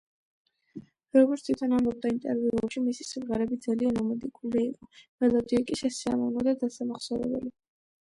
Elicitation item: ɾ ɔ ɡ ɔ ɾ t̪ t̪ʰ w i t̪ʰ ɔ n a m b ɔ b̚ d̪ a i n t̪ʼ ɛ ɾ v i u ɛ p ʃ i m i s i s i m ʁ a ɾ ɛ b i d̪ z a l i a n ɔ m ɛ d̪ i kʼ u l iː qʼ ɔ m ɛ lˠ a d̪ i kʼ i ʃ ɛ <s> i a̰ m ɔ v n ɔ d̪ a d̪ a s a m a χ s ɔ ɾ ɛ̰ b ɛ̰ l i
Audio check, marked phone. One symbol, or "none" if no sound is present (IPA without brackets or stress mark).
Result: s